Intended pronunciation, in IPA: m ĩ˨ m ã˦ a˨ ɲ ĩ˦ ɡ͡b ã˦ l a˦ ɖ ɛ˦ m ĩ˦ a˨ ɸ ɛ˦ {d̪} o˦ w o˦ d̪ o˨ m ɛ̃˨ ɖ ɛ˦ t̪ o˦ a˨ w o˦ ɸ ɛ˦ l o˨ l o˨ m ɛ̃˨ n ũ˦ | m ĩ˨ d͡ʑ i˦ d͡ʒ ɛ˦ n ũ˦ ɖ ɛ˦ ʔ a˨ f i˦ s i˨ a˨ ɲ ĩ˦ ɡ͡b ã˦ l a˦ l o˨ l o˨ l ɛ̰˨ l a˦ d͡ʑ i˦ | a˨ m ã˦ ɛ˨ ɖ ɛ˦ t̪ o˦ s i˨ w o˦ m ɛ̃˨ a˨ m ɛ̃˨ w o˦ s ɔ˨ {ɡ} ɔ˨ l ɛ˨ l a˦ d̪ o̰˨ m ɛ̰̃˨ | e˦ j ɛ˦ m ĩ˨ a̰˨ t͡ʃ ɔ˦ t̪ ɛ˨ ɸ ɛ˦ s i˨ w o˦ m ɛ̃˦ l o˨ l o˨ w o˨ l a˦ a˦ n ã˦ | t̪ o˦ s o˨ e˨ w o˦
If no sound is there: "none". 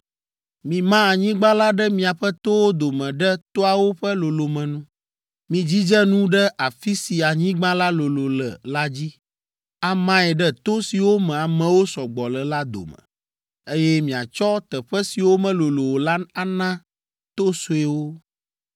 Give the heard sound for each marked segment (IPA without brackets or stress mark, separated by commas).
t̪, ɡ͡b